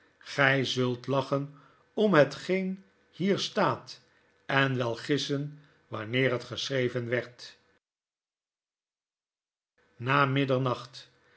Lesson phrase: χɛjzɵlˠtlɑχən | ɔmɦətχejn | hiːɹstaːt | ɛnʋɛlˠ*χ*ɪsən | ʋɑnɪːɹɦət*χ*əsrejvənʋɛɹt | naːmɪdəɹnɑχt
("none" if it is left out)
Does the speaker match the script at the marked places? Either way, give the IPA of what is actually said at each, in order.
χ, χ

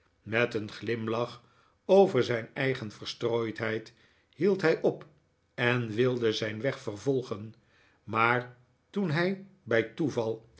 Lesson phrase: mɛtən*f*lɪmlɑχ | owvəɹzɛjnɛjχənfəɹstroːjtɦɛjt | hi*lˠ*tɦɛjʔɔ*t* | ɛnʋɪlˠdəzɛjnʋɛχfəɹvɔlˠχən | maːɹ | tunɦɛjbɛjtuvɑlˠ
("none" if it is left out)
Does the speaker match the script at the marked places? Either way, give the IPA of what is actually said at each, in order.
χ, lˠ, p

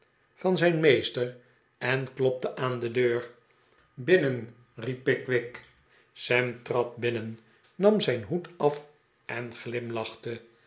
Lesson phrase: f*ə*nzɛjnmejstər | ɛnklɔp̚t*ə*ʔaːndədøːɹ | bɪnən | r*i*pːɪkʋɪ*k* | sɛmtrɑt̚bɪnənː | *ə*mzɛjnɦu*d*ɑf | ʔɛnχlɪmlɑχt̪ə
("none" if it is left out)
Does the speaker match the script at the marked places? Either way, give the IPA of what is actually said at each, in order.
ɑ, ə, i, k, ɑ, t

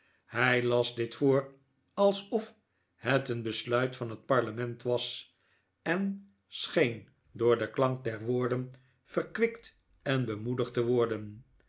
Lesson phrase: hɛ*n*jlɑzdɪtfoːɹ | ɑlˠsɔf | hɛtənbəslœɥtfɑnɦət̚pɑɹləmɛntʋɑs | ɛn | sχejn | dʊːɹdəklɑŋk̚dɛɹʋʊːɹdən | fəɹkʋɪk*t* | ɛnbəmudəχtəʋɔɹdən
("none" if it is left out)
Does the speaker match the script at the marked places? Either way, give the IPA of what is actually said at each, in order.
none, t

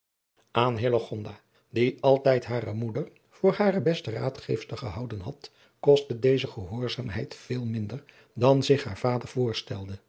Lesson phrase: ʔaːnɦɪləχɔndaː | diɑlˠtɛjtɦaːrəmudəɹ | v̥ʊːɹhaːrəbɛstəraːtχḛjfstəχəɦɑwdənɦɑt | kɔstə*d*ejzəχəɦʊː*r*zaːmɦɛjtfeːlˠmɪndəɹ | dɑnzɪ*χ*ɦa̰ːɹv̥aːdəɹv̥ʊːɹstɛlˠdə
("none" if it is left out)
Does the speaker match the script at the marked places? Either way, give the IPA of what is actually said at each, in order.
d, ɹ, χ

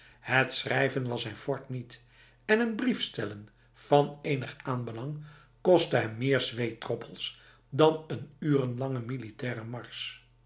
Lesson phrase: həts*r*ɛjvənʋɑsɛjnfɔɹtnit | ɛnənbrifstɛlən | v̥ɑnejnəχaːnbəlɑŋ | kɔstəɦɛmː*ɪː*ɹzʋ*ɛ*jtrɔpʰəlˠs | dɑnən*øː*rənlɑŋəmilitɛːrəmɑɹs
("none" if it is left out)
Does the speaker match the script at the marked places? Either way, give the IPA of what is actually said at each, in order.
r, ɪː, e, yː

